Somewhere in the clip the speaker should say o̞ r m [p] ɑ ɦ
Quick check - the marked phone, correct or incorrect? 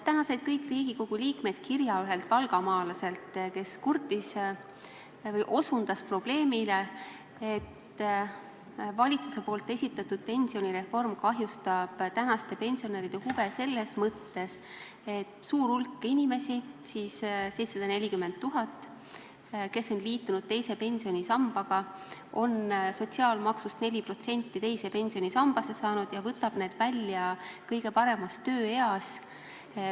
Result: incorrect